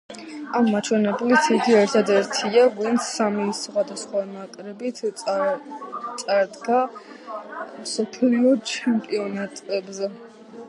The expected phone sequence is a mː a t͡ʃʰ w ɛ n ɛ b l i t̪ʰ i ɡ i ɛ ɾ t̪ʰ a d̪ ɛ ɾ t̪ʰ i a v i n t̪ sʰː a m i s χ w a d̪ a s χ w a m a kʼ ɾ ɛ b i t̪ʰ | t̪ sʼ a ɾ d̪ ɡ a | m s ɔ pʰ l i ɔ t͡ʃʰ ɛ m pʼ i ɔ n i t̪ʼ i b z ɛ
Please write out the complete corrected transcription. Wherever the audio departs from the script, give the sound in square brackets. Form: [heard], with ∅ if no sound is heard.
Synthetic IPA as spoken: a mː a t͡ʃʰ w ɛ n ɛ b l i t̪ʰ i ɡ i ɛ ɾ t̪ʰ a d̪ ɛ ɾ t̪ʰ i a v i n t̪ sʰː a m i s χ w a d̪ a s χ w a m a kʼ ɾ ɛ b i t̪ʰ | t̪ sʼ a ɾ d̪ ɡ a | m s ɔ pʰ l i ɔ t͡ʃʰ ɛ m pʼ i ɔ n [a] t̪ʼ [ɛ] b z ɛ